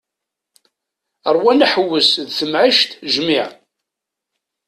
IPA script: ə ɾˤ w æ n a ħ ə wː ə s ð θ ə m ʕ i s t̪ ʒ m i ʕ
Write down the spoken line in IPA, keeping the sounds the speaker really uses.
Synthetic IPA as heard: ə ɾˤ w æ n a ħ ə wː ə s ð θ ə m ʕ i ʃ t̪ ʒ m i ʕ